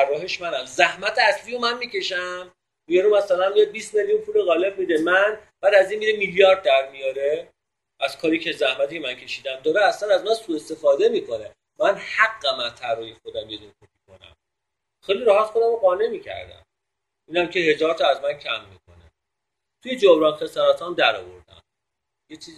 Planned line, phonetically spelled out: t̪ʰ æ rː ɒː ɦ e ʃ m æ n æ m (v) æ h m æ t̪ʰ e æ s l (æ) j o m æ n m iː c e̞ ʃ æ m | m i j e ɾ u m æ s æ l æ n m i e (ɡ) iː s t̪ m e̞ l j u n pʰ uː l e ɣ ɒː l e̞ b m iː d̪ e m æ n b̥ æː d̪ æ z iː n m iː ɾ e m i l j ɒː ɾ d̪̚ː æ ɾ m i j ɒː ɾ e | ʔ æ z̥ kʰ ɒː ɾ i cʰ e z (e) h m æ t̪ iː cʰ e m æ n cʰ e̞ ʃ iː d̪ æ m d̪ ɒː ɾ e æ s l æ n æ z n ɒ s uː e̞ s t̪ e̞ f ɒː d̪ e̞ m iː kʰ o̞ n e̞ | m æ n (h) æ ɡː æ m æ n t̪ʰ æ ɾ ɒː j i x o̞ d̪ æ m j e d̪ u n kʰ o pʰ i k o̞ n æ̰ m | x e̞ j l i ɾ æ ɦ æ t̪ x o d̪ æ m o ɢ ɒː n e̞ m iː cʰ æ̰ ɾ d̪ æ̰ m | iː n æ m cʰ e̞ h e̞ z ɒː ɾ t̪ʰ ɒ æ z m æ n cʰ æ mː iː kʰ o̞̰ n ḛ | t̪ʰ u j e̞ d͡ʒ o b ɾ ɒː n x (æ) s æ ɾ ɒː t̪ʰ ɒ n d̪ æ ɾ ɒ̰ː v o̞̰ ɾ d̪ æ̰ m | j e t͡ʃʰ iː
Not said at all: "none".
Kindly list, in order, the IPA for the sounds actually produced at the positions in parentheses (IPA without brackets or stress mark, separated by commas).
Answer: z, i, b, æ, h, e